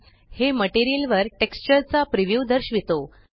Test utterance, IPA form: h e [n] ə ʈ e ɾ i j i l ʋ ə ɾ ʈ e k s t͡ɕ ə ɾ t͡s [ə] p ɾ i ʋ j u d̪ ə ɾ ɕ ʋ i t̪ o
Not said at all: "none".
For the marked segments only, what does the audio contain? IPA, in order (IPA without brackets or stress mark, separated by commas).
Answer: m, a